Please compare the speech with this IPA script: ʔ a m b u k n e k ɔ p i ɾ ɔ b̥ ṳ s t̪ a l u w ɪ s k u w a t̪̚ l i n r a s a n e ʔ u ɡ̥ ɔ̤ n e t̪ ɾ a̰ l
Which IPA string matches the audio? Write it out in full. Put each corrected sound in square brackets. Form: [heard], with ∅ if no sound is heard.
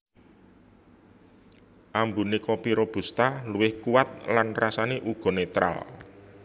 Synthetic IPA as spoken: ʔ a m b u [∅] n e k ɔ p i ɾ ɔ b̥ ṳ s t̪ a l u w ɪ [h] k u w a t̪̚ l [a] n r a s a n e ʔ u ɡ̥ ɔ̤ n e t̪ ɾ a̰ l